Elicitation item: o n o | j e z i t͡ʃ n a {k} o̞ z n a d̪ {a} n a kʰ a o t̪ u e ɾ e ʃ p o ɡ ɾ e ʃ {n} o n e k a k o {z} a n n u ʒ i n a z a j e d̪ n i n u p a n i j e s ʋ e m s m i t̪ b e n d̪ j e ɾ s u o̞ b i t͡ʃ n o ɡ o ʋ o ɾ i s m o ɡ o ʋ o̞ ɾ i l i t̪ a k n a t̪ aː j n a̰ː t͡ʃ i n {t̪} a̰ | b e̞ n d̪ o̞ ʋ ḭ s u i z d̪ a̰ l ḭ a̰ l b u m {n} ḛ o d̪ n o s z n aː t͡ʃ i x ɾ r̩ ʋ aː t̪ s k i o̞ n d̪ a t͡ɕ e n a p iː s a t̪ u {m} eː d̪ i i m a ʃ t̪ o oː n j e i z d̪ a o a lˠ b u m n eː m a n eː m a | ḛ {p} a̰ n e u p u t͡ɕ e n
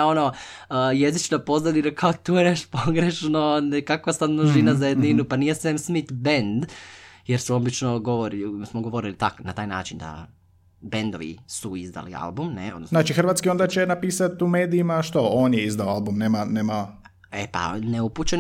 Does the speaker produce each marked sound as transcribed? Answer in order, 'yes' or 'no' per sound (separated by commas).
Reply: no, no, yes, no, no, yes, yes, yes